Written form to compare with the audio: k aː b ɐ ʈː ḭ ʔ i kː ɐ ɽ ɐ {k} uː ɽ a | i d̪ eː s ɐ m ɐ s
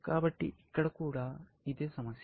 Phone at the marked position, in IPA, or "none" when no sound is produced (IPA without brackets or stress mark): k